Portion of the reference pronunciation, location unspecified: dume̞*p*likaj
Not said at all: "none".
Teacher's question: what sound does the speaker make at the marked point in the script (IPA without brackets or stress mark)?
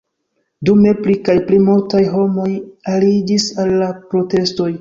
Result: p